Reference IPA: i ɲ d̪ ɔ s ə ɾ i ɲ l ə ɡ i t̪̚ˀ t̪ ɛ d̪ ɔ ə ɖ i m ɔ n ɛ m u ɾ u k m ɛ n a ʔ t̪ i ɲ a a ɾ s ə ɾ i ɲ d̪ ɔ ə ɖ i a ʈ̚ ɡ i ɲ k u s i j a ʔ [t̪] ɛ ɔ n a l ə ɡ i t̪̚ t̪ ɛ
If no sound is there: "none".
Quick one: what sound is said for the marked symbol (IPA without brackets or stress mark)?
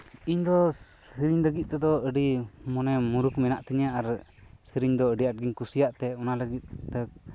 t̪